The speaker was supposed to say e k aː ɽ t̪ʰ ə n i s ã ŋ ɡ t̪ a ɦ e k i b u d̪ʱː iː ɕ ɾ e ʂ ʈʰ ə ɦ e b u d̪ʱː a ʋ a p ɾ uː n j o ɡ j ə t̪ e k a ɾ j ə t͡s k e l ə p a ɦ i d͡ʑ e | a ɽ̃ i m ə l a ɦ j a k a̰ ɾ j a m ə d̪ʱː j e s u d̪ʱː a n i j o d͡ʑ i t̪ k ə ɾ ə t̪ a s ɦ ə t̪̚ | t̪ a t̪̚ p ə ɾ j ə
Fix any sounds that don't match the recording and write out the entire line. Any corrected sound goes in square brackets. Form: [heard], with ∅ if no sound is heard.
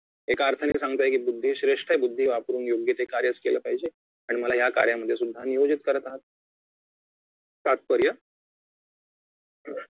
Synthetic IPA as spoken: e k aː [ɾ] t̪ʰ ə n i s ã ŋ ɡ t̪ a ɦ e k i b u d̪ʱː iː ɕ ɾ e ʂ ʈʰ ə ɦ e b u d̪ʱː [i] ʋ a p ɾ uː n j o ɡ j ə t̪ e k a ɾ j ə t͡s k e l ə p a ɦ i d͡ʑ e | a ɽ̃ i m ə l a ɦ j a k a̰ ɾ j a m ə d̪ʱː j e s u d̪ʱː a n i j o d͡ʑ i t̪ k ə ɾ ə t̪ a [∅] ɦ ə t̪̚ | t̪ a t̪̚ p ə ɾ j ə